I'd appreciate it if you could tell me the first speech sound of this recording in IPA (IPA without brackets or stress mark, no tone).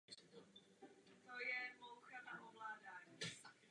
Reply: t̪